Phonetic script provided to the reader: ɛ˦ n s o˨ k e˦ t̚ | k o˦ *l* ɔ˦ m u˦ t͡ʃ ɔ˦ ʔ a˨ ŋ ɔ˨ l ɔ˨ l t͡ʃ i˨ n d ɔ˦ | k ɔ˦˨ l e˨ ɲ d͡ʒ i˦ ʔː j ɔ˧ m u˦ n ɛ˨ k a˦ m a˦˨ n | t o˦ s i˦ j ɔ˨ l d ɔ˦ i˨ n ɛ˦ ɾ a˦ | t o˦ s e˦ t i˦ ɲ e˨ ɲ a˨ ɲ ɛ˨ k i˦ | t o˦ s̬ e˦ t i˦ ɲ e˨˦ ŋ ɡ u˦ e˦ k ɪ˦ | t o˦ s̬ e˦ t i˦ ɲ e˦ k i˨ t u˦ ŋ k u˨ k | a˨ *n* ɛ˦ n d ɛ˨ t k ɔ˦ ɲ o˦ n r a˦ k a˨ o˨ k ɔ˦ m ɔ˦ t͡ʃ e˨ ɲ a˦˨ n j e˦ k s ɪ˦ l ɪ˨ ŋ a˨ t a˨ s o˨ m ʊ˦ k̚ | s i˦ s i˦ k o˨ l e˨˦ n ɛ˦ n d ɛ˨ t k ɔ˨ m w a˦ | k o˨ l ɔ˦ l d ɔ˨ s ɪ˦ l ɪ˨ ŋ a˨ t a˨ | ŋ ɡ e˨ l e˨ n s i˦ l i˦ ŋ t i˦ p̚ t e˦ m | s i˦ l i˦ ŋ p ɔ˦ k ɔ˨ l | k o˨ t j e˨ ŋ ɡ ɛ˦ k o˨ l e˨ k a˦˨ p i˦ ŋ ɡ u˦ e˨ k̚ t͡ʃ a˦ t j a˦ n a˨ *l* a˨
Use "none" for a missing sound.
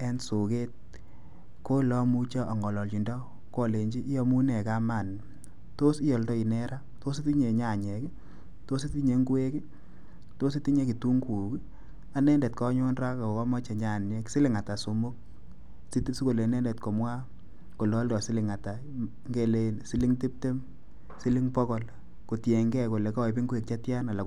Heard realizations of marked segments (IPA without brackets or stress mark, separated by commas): l, n, l